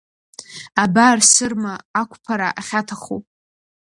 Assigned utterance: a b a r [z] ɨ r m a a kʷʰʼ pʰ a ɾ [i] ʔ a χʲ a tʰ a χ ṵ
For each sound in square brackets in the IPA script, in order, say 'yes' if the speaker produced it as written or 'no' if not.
no, no

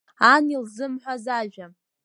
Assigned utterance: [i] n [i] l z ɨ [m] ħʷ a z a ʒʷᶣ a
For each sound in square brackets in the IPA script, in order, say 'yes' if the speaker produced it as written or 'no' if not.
no, yes, yes

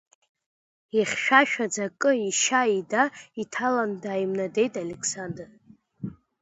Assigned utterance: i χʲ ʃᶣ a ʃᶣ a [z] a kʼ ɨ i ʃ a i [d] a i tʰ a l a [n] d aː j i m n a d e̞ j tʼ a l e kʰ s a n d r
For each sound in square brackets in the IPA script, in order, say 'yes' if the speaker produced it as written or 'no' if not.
no, yes, yes

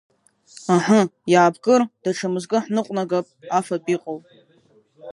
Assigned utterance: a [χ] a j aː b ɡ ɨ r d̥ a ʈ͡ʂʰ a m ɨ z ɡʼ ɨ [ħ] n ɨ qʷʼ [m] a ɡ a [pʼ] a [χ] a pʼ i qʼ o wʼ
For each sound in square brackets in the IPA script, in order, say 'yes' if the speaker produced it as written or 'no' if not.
no, yes, no, yes, no

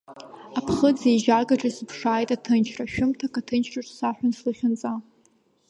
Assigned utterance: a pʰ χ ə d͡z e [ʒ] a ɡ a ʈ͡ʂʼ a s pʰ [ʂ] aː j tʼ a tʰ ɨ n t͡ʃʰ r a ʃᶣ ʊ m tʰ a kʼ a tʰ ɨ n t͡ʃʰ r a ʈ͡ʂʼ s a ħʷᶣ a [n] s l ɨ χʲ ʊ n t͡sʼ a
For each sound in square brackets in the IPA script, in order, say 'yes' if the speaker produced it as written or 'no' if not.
yes, yes, yes

